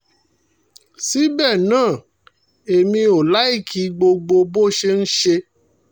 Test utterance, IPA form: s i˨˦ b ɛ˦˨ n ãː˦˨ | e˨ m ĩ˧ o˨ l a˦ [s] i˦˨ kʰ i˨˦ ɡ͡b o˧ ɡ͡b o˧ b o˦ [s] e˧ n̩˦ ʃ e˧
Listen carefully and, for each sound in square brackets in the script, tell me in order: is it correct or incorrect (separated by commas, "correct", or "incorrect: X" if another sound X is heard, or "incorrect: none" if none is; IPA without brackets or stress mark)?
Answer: incorrect: none, incorrect: ʃ